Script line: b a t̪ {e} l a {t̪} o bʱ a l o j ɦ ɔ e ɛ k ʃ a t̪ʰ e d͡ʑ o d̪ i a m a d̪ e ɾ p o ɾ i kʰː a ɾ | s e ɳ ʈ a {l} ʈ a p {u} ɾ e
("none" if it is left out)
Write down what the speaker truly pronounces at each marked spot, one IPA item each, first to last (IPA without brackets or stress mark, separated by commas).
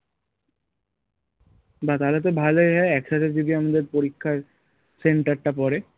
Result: a, t̪, ɾ, ɔ